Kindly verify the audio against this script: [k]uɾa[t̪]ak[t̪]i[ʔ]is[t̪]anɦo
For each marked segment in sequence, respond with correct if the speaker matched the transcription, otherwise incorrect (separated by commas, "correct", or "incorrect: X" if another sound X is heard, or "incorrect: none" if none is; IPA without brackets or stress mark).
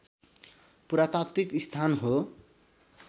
incorrect: p, correct, correct, incorrect: k, incorrect: t̪ʰ